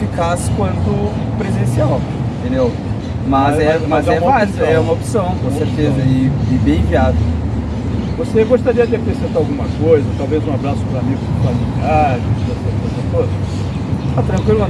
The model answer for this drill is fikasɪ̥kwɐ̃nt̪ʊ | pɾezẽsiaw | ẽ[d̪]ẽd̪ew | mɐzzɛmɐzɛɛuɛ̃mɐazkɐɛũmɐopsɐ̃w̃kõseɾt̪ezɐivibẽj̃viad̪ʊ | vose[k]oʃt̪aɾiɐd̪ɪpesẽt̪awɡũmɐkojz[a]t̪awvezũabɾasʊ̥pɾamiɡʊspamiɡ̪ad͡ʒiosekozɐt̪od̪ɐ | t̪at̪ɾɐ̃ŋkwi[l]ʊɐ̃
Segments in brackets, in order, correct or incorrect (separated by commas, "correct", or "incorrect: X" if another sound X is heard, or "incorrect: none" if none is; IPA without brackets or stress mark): incorrect: t̪, incorrect: ɡ, incorrect: ɐ, correct